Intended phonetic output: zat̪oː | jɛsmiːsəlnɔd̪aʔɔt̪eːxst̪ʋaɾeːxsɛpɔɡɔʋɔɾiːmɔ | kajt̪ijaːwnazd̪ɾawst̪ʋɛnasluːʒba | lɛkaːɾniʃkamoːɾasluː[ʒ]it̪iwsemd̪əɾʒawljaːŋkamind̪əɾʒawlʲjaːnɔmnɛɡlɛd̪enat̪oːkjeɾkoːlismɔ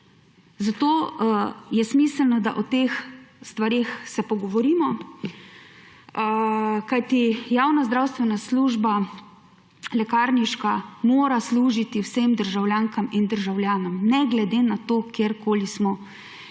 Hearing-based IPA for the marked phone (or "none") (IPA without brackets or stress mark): ʒ